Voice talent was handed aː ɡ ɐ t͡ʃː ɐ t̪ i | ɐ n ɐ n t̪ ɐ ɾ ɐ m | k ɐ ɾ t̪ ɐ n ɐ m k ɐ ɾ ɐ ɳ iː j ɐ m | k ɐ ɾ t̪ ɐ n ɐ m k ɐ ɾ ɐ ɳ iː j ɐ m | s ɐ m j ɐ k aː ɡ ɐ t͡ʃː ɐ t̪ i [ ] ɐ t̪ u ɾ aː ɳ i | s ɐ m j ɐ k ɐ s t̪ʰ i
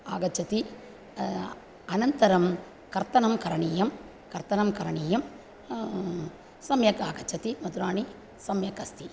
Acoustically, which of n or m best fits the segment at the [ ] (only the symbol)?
m